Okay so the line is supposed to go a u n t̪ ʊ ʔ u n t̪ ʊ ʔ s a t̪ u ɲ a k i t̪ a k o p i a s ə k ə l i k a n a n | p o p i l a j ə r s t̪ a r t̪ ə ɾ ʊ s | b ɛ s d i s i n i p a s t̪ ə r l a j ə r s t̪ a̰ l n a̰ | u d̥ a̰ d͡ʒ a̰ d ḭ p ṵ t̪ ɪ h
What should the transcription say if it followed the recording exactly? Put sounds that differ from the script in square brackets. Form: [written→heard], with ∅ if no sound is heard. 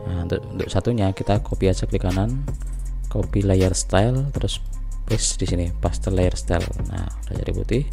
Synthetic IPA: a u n t̪ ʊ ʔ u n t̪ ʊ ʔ s a t̪ u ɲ a k i t̪ a k o p i a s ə k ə l i k a n a n | [p→k] o p i l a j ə r s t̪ a [r→l] t̪ ə ɾ ʊ s | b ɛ s d i s i n i p a s t̪ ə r l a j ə r s t̪ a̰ l n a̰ | u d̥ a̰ d͡ʒ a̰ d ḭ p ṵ t̪ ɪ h